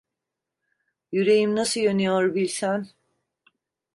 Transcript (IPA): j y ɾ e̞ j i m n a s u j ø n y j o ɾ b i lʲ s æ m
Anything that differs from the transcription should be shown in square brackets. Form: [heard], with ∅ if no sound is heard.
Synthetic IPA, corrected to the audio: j y ɾ e̞ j i m n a s [ɯ] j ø n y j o ɾ b i lʲ s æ [n]